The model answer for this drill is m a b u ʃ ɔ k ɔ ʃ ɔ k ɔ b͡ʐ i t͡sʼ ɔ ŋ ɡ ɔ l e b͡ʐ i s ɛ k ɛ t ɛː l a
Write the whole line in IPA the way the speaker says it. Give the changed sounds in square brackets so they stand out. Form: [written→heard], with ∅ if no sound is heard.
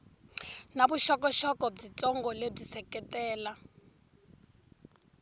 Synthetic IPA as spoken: [m→n] a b u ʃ ɔ k ɔ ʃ ɔ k ɔ b͡ʐ i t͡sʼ ɔ ŋ ɡ ɔ l e b͡ʐ i s ɛ k ɛ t ɛː l a